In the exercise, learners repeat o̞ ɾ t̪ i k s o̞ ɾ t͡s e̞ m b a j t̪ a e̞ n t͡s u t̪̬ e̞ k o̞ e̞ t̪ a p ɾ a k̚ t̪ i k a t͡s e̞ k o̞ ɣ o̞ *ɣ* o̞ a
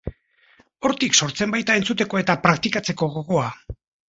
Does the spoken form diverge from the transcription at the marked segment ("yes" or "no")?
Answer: no